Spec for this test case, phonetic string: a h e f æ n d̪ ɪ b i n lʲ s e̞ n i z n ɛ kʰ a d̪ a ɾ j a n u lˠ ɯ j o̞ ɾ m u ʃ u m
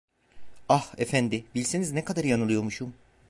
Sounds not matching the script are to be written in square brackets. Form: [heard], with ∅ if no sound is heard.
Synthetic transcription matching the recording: a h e f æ n d̪ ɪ b i [∅] lʲ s e̞ n i z n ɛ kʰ a d̪ a ɾ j a n [ɯ] lˠ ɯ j o̞ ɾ m u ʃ u m